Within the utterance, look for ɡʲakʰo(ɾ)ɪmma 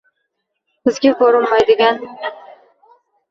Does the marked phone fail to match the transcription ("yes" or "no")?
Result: no